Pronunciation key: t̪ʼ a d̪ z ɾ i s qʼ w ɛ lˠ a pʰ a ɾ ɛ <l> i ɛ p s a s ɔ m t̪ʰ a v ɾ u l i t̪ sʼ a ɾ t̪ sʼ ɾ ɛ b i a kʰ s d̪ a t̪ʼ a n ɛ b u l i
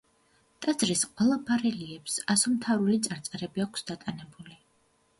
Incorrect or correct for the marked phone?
correct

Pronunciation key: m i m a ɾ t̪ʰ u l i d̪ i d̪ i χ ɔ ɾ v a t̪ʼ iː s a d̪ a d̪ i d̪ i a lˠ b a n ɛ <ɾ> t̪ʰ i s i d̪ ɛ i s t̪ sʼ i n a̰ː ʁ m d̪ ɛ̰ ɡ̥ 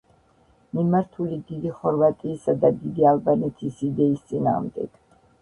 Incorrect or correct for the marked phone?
incorrect: none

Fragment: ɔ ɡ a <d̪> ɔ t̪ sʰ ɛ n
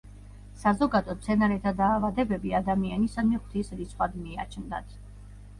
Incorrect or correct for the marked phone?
correct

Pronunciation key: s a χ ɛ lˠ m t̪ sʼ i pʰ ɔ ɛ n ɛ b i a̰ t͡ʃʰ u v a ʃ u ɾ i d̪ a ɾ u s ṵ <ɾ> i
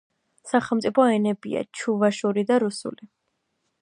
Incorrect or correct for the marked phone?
incorrect: l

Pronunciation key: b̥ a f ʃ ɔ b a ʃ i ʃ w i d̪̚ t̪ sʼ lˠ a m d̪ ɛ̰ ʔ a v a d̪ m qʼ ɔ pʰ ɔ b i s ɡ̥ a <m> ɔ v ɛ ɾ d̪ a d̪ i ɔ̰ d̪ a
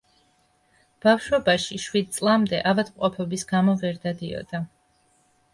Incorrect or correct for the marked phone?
correct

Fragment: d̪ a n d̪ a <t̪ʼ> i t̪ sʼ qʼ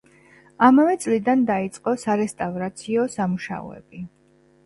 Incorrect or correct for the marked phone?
incorrect: none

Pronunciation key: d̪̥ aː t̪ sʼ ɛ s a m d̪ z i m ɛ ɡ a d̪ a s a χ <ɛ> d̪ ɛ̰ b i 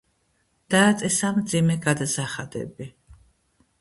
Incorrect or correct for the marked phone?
incorrect: a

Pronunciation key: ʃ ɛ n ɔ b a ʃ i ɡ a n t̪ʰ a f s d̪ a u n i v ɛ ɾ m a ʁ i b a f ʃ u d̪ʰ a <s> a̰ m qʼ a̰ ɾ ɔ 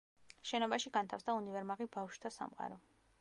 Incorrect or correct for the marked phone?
correct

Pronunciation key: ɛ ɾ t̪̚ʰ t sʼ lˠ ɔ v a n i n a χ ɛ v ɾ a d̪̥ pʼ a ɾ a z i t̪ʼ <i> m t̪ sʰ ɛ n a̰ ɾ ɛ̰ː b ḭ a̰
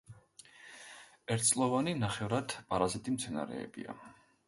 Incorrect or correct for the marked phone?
correct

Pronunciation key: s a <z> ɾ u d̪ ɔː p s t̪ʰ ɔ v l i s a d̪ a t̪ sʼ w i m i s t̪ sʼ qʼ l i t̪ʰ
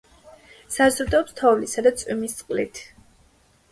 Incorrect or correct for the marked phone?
correct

